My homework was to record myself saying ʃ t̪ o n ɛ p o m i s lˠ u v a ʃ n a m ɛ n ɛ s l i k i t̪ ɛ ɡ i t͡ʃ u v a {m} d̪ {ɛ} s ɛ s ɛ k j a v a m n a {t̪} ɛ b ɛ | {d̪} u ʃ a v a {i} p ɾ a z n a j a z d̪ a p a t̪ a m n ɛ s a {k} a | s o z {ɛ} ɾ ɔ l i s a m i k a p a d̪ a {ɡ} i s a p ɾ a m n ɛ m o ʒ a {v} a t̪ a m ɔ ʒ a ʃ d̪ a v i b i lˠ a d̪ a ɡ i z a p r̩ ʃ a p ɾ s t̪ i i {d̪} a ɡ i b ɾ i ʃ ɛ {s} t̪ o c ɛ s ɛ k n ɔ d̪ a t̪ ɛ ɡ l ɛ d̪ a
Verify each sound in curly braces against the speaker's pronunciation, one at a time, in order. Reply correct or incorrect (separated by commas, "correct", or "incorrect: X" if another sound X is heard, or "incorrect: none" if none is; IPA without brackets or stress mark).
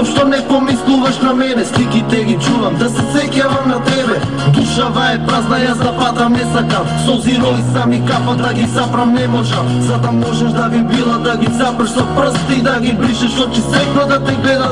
correct, incorrect: a, correct, correct, incorrect: ɛ, correct, incorrect: i, correct, incorrect: z, correct, incorrect: ʃ